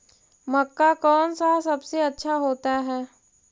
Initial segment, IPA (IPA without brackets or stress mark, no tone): m